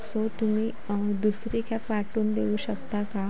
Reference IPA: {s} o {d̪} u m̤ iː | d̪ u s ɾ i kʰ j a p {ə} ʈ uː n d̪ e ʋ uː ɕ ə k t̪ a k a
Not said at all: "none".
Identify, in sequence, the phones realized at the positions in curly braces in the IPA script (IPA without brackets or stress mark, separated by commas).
s, t̪, a